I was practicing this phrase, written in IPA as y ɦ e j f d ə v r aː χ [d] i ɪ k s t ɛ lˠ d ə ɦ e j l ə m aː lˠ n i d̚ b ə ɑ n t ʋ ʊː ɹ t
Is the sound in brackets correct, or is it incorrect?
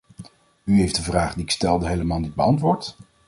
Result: correct